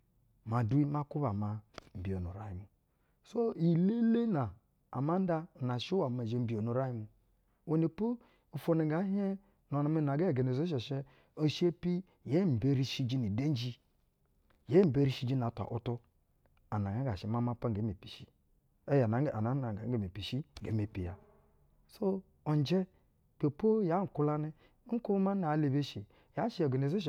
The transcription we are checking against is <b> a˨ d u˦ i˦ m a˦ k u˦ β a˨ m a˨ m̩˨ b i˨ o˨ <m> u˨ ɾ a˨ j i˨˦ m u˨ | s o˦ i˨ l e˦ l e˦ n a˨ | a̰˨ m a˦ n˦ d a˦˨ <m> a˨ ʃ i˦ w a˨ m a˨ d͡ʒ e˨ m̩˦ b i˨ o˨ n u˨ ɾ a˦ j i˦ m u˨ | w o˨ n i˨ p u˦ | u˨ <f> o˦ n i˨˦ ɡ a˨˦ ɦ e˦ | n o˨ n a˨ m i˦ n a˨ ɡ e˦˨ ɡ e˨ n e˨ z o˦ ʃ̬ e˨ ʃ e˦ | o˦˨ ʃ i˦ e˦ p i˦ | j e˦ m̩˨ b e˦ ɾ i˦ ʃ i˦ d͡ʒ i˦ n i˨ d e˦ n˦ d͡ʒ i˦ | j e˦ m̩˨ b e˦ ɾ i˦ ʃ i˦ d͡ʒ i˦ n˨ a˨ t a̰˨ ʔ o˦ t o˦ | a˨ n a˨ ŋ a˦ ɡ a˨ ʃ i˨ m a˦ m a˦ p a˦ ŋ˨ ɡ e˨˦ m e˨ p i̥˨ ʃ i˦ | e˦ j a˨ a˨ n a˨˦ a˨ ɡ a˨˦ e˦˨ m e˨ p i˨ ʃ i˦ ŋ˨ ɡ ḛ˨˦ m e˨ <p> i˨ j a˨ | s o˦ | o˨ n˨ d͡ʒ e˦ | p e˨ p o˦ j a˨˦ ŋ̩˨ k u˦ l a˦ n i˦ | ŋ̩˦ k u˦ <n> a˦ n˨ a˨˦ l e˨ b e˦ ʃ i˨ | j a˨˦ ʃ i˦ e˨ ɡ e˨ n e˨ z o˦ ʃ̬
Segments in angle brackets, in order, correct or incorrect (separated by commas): incorrect, incorrect, incorrect, correct, correct, incorrect